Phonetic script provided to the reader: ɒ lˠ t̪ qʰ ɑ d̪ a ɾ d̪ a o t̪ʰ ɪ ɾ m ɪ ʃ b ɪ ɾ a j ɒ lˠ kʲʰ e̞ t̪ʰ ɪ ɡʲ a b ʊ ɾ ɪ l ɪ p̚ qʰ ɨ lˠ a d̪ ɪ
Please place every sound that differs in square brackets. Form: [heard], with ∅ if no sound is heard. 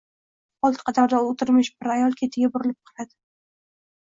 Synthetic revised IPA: ɒ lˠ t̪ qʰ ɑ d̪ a ɾ d̪ a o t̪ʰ ɪ ɾ m ɪ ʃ b ɪ ɾ a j ɒ lˠ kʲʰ e̞ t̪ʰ ɪ ɡʲ a b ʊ ɾ ɪ l ɪ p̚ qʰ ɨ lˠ a d̪ ɪ